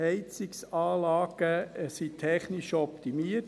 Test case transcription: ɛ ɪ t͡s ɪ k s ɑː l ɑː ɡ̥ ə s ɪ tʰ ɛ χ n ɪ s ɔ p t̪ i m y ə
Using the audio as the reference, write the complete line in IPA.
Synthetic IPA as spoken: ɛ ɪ t͡s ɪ k s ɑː l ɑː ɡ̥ ə s i tʰ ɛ χ n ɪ ʃ ɔ p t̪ i m i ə